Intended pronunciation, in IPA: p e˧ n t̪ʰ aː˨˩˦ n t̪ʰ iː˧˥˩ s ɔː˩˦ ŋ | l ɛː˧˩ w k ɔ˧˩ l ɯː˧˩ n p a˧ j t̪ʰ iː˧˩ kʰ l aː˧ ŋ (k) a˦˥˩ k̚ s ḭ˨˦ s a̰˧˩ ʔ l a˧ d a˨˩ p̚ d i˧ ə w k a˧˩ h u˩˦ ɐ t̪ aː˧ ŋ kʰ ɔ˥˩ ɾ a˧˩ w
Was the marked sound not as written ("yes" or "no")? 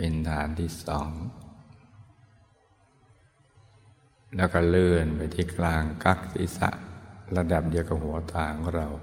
no